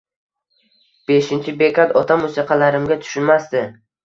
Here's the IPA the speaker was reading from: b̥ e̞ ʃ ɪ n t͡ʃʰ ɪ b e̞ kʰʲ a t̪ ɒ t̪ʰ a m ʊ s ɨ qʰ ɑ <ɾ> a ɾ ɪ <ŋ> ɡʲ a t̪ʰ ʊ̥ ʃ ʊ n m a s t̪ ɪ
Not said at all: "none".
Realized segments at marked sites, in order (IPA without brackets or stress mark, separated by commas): l, m